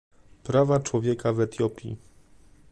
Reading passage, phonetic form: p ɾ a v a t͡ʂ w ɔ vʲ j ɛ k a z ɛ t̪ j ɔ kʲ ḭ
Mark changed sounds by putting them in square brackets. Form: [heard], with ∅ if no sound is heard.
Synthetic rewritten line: p ɾ a v a t͡ʂ w ɔ vʲ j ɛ k a [v] ɛ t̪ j ɔ [pʲ] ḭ